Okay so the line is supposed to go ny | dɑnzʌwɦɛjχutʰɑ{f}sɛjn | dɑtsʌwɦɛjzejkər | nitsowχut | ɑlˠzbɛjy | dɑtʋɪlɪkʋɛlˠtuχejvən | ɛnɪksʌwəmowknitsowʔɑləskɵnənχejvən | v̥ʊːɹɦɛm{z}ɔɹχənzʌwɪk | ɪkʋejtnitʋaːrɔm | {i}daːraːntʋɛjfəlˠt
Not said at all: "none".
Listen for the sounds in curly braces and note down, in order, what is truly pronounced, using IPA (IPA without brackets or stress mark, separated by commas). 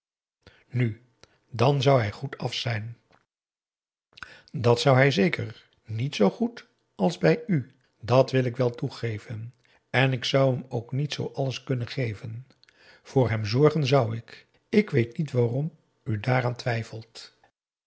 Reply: f, z, y